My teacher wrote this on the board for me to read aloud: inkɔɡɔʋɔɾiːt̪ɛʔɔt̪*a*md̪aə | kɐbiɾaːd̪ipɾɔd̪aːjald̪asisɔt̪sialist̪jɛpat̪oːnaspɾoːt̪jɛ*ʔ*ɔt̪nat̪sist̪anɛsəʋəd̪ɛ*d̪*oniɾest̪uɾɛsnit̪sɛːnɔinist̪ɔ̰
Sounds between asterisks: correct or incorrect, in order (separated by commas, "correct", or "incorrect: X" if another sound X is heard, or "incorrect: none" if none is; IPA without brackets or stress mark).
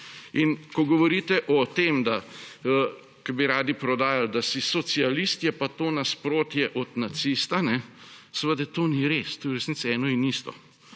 incorrect: e, correct, incorrect: t̪